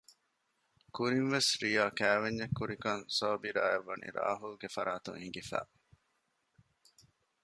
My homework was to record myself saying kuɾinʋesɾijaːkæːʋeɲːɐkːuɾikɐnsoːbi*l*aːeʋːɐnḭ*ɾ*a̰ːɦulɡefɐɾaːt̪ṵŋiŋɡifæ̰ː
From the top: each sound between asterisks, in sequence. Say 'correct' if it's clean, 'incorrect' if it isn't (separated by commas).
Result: incorrect, correct